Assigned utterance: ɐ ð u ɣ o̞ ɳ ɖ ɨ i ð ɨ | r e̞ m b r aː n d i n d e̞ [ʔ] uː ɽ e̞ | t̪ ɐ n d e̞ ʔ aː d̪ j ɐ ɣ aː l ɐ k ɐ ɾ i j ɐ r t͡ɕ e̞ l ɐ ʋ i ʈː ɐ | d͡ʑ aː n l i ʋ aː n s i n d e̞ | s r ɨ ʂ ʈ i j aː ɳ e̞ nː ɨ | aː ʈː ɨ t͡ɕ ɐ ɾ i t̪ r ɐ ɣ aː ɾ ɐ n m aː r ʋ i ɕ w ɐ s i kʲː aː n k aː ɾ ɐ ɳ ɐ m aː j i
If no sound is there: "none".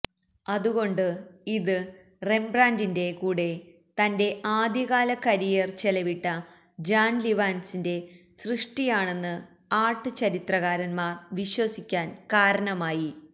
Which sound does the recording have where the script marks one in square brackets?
k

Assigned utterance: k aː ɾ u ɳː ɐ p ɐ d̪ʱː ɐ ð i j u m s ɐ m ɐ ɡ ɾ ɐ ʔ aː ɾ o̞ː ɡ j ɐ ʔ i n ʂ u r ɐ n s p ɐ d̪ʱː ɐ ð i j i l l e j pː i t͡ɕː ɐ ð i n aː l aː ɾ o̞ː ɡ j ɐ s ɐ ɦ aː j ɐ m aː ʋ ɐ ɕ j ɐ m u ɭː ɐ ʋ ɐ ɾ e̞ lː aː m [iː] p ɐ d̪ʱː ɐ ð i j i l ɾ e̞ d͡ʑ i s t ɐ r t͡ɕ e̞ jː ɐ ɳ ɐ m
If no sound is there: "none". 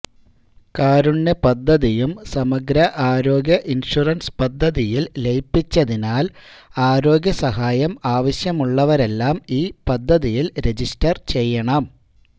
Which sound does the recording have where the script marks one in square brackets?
iː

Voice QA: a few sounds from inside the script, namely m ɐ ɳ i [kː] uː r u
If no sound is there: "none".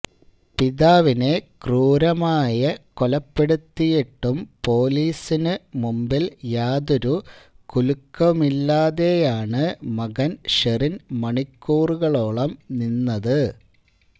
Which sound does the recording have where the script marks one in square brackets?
kː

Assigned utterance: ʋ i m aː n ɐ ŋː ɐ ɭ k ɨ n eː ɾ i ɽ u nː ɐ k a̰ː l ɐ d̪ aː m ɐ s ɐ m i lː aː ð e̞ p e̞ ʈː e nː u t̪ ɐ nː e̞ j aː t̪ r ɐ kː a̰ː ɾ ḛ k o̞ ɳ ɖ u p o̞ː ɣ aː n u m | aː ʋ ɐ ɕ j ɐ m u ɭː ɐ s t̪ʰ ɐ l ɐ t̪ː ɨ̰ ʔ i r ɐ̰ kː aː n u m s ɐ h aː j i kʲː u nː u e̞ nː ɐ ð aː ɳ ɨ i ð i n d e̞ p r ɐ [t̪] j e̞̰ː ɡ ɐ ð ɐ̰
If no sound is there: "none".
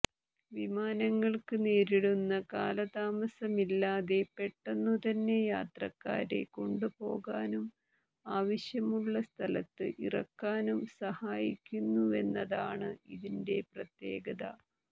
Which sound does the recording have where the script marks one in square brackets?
t̪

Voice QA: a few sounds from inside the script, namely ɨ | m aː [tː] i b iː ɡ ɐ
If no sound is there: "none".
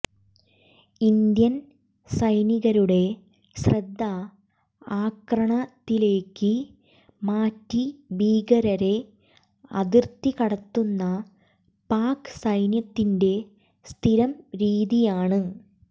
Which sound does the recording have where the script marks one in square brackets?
tː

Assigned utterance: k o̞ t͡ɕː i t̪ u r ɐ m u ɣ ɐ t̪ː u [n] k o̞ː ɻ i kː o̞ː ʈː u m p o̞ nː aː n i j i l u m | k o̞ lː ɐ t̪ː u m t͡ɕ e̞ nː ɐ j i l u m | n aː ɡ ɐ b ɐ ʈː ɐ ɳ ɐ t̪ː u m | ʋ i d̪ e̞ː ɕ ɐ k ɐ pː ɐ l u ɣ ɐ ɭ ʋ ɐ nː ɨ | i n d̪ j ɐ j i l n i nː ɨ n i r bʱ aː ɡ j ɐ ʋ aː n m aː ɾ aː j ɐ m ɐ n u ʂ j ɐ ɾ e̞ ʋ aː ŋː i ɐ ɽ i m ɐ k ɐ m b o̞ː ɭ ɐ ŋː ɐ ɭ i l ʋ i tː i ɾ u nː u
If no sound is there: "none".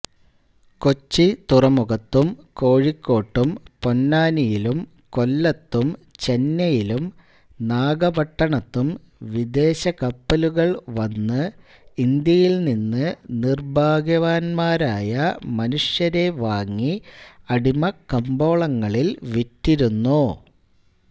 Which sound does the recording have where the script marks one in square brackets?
m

